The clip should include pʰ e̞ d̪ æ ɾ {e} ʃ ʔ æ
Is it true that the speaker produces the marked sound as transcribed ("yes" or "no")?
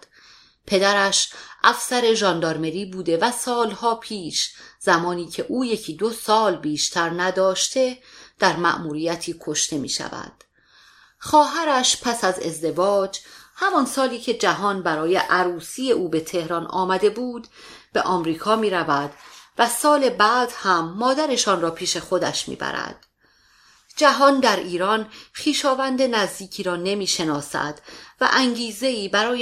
no